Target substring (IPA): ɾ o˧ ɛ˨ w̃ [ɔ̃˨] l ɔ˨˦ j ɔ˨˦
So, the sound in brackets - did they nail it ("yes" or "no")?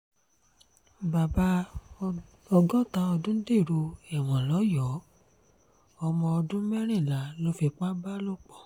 yes